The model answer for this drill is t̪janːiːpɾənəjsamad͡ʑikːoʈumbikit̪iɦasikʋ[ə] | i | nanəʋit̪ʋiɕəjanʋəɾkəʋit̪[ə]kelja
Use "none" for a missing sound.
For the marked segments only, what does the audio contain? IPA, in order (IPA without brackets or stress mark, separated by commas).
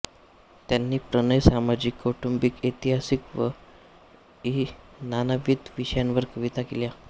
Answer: ə, a